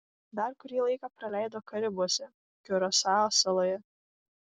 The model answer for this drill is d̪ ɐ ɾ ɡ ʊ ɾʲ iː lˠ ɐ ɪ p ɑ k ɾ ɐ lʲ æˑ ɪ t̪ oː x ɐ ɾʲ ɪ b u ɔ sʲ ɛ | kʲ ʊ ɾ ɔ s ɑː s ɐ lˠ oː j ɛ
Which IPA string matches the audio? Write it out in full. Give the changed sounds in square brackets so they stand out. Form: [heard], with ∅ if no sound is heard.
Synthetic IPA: d̪ ɐ ɾ [k] ʊ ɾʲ iː lˠ ɐ ɪ [k] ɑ [p] ɾ ɐ lʲ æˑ ɪ [d̪] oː [k] ɐ ɾʲ ɪ b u ɔ sʲ ɛ | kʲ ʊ ɾ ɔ s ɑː s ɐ lˠ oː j ɛ

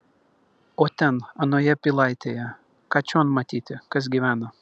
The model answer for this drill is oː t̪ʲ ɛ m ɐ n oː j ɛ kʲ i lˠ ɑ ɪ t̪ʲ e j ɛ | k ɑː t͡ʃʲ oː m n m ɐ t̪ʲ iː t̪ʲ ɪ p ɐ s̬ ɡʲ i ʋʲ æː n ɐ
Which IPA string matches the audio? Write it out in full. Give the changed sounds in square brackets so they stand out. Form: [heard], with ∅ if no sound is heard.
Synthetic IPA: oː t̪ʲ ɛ [n] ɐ n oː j ɛ [pʲ] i lˠ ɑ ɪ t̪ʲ e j ɛ | k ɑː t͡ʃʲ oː [∅] n m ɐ t̪ʲ iː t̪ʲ ɪ [k] ɐ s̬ ɡʲ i ʋʲ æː n ɐ

